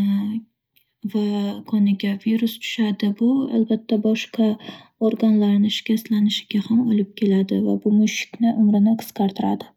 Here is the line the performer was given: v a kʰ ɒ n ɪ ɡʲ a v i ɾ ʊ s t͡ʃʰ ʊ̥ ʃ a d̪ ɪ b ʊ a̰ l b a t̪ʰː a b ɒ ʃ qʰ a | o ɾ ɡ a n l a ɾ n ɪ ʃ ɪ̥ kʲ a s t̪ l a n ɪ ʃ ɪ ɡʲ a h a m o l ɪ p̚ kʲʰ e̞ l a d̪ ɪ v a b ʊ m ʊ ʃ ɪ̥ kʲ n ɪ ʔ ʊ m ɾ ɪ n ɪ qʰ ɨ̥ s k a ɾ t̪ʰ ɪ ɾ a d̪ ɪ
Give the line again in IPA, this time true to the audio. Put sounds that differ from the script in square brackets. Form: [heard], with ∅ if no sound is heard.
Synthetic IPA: v a kʰ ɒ n ɪ ɡʲ a v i ɾ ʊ s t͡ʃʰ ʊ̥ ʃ a d̪ ɪ b ʊ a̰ l b a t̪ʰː a b ɒ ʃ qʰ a | o ɾ ɡ a n l a ɾ n ɪ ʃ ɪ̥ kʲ a s t̪ l a n ɪ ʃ ɪ ɡʲ a h a m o l ɪ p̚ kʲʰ e̞ l a d̪ ɪ v a b ʊ m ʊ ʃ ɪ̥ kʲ n ɪ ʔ ʊ m ɾ ɪ n ɪ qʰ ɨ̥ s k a ɾ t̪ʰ ɪ ɾ a d̪ ɪ